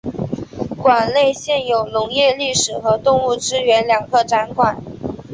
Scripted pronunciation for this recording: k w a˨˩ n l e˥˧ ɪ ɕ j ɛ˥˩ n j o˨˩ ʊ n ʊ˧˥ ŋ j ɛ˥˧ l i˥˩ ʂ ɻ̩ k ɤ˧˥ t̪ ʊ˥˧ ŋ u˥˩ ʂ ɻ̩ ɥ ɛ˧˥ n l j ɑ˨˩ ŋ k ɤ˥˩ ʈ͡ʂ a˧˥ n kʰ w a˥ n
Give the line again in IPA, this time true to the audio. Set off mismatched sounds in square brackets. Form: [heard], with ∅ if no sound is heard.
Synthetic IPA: k w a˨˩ n l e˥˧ ɪ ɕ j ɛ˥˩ n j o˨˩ ʊ n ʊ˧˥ ŋ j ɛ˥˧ l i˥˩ ʂ ɻ̩ [x] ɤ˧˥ t̪ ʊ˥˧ ŋ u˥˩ [ʈ͡ʂ] ɻ̩ ɥ ɛ˧˥ n l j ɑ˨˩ ŋ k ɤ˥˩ ʈ͡ʂ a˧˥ n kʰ w [a˨˩˦] n